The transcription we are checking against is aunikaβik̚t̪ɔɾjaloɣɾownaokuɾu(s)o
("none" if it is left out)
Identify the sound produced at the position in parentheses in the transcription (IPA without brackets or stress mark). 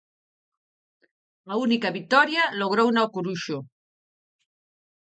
ʃ